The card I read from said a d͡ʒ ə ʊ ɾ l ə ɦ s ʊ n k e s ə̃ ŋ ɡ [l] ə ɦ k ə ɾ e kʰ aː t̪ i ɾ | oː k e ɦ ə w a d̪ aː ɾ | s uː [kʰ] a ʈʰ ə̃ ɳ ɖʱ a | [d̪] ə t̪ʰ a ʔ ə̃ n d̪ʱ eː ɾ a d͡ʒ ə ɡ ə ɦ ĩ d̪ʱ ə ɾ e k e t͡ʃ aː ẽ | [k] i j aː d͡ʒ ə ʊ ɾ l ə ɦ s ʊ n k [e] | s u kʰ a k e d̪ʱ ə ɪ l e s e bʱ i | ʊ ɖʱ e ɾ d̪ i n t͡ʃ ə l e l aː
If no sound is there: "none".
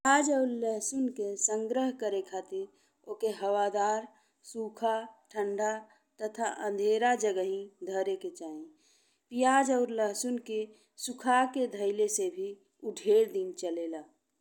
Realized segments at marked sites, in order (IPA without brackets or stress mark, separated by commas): ɾ, kʰ, t̪, p, e